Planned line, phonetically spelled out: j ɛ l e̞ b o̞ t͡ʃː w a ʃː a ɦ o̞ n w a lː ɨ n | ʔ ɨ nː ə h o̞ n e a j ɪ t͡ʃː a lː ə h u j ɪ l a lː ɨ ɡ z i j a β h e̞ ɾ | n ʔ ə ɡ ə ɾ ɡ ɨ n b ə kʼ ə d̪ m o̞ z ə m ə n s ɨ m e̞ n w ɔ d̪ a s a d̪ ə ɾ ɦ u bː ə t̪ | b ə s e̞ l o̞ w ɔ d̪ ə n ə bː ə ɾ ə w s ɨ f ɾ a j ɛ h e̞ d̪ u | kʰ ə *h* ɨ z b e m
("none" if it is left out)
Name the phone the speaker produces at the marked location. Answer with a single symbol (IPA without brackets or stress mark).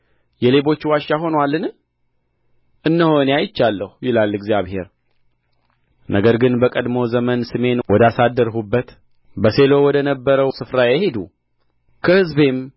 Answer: h